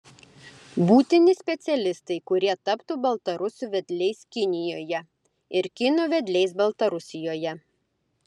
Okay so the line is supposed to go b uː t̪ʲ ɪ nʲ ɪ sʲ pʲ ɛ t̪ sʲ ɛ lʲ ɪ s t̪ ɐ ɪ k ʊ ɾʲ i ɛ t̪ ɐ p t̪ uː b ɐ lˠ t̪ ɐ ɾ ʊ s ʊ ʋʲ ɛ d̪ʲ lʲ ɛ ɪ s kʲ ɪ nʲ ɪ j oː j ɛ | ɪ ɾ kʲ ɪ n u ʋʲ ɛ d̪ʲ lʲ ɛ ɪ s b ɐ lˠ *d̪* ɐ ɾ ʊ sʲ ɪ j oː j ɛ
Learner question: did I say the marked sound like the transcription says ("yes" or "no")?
no